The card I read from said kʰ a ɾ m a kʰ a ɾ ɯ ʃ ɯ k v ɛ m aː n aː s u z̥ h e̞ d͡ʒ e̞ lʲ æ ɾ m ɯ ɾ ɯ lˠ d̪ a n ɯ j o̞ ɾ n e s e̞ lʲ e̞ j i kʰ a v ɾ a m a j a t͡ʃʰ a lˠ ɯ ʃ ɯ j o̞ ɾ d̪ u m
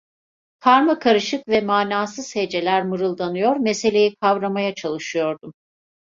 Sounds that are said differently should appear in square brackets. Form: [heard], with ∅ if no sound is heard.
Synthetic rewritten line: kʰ a ɾ m a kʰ a ɾ ɯ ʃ ɯ k v ɛ m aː n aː s [ɯ] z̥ h e̞ d͡ʒ e̞ lʲ æ ɾ m ɯ ɾ ɯ lˠ d̪ a n ɯ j o̞ ɾ [m] e s e̞ lʲ e̞ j i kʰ a v ɾ a m a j a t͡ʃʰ a lˠ ɯ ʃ ɯ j o̞ ɾ d̪ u m